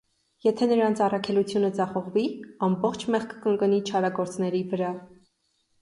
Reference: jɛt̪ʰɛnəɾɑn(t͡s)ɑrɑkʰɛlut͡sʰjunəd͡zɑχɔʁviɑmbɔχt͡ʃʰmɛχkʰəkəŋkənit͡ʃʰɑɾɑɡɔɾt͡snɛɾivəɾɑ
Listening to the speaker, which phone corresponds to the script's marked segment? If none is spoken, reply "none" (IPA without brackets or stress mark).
t͡sʰ